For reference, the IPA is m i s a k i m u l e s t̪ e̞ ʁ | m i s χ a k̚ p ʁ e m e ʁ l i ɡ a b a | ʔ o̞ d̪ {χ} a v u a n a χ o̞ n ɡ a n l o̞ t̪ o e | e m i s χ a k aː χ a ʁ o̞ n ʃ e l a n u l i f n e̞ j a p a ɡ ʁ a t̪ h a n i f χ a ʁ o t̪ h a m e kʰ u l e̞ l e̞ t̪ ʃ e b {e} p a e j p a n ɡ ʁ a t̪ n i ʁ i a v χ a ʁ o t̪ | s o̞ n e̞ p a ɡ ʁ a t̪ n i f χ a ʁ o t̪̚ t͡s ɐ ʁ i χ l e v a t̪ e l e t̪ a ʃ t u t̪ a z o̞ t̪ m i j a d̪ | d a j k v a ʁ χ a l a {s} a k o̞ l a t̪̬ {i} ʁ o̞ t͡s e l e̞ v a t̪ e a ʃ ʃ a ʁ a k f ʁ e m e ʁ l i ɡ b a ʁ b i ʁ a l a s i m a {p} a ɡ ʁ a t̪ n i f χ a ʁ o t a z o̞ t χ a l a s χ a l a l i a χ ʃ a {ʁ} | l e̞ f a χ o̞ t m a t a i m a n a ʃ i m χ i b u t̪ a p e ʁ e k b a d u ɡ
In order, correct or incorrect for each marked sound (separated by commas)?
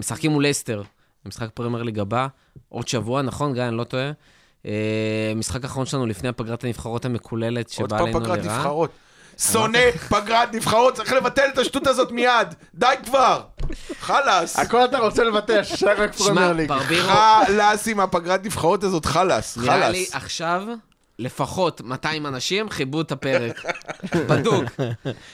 incorrect, incorrect, correct, incorrect, correct, incorrect